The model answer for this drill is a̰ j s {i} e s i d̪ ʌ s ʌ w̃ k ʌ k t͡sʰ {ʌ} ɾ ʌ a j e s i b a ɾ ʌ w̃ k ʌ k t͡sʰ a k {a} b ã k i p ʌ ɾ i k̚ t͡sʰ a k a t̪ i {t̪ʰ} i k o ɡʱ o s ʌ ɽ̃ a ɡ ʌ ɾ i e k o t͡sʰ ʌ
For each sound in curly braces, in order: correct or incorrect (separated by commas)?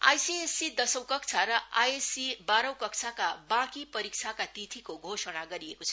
correct, incorrect, correct, correct